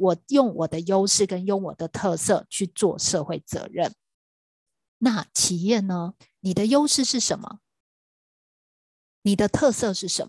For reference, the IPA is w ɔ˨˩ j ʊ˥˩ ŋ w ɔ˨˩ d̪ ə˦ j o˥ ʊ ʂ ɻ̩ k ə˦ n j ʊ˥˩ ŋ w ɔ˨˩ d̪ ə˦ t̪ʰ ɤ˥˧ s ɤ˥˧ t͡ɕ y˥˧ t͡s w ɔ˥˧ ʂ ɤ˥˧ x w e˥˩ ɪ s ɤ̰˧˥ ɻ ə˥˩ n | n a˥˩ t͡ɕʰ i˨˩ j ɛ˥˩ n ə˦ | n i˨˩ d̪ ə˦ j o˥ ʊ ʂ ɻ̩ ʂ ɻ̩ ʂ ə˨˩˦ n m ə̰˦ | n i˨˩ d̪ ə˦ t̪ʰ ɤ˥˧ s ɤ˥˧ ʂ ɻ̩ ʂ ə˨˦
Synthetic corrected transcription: w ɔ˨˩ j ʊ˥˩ ŋ w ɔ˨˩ d̪ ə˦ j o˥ ʊ ʂ ɻ̩ k ə˦ n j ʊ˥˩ ŋ w ɔ˨˩ d̪ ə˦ t̪ʰ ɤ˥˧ s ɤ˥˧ t͡ɕʰ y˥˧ t͡s w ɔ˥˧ ʂ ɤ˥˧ x w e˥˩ ɪ t͡s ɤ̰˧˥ ɻ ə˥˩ n | n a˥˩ t͡ɕʰ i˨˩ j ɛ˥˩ n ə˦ | n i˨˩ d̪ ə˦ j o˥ ʊ ʂ ɻ̩ ʂ ɻ̩ ʂ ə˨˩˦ n m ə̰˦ | n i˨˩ d̪ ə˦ t̪ʰ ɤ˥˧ s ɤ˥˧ ʂ ɻ̩ ʂ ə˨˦